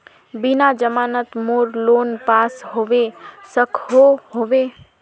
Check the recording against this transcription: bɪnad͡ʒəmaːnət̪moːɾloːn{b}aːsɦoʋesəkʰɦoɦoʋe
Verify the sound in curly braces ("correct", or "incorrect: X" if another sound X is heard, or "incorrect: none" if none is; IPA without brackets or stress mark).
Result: incorrect: p